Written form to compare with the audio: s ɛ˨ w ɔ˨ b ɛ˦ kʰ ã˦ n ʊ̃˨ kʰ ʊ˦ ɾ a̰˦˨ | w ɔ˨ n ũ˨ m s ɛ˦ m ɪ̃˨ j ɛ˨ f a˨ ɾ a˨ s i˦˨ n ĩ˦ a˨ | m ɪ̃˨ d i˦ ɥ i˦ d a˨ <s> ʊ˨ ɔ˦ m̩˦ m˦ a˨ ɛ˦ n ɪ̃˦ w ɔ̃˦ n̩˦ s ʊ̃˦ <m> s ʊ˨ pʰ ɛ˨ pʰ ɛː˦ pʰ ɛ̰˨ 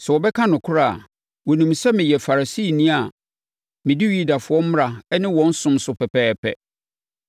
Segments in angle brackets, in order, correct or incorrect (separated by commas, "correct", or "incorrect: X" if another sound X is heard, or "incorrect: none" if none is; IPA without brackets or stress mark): incorrect: f, correct